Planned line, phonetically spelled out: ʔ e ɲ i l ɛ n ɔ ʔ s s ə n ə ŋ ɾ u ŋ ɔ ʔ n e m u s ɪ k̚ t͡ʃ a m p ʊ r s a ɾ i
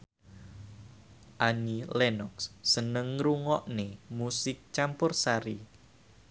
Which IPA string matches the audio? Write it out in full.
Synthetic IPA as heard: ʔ a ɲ i l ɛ n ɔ k s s ə n ə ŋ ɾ u ŋ ɔ ʔ n e m u s ɪ k̚ t͡ʃ a m p ʊ r s a ɾ i